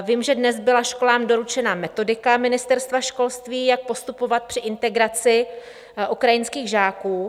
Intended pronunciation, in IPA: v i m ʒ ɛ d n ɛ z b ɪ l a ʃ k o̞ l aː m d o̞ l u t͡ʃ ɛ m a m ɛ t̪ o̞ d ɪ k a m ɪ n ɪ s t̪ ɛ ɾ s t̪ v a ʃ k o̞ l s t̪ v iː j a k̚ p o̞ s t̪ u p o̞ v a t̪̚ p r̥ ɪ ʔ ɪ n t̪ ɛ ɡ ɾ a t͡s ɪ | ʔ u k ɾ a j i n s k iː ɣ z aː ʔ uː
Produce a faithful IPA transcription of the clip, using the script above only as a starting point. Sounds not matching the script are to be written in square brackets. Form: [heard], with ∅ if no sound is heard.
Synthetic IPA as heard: v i m ʒ ɛ d n ɛ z b ɪ l a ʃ k o̞ l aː m d o̞ [ɾ] u t͡ʃ ɛ [n] a m ɛ t̪ o̞ d ɪ k a m ɪ n ɪ s t̪ ɛ ɾ s t̪ v a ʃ k o̞ l s t̪ v iː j a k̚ p o̞ s t̪ u p o̞ v a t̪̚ p r̥ ɪ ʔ ɪ n t̪ ɛ ɡ ɾ a t͡s ɪ | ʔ u k ɾ a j [ɪ] n s k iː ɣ [ʒ] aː [k] uː